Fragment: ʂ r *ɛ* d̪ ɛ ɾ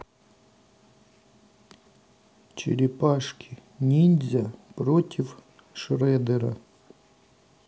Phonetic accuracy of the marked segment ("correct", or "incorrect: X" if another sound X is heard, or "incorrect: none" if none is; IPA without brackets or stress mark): correct